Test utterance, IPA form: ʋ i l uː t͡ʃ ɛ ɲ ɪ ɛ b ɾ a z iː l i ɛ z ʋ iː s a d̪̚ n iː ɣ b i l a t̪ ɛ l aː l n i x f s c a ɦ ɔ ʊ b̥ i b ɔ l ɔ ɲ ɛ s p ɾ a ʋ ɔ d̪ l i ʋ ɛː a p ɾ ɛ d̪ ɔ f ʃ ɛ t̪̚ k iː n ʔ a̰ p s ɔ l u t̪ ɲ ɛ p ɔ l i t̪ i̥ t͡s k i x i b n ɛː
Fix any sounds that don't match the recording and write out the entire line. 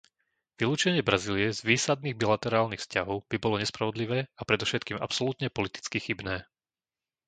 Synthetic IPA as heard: ʋ i l uː t͡ʃ ɛ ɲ ɪ ɛ b ɾ a z iː l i ɛ z ʋ iː s a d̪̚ n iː ɣ b i l a t̪ ɛ ɾ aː l n i x f s c a ɦ ɔ ʊ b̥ i b ɔ l ɔ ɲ ɛ s p ɾ a ʋ ɔ d̪ l i ʋ ɛː a p ɾ ɛ d̪ ɔ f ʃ ɛ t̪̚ k iː m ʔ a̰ p s ɔ l u t̪ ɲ ɛ p ɔ l i t̪ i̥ t͡s k i x i b n ɛː